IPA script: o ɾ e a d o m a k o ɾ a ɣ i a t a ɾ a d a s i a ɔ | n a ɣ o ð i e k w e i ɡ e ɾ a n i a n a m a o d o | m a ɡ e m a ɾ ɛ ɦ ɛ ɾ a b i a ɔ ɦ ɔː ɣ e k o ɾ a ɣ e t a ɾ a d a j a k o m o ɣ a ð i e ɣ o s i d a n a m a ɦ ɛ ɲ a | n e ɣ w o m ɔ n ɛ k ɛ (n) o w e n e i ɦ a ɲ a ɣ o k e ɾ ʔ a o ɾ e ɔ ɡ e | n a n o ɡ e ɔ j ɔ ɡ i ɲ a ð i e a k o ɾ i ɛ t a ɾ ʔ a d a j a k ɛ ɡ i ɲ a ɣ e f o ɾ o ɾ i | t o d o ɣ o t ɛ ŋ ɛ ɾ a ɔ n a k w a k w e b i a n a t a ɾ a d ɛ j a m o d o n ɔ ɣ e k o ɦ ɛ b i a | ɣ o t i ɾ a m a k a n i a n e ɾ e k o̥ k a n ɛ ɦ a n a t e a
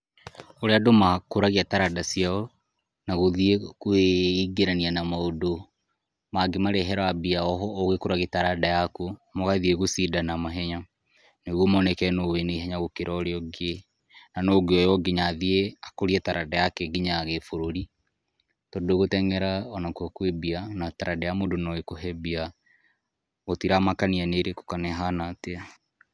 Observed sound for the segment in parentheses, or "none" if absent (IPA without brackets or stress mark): n